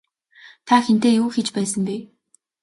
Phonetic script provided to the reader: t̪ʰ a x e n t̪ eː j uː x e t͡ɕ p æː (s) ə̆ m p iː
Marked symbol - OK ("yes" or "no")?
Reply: yes